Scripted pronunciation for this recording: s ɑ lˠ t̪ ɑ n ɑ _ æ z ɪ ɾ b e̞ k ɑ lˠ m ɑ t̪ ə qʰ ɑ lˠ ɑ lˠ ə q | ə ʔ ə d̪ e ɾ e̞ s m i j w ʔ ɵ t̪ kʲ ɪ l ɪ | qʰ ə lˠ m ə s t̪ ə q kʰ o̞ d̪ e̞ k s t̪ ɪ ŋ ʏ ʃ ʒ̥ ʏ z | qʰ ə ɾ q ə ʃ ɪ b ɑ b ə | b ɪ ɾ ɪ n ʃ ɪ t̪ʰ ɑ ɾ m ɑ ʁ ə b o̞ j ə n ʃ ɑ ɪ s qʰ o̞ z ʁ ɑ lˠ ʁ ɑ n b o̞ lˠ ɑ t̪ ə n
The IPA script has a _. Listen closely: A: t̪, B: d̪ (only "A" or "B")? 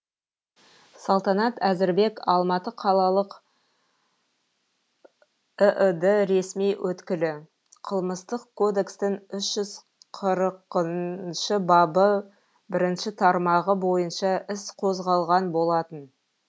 A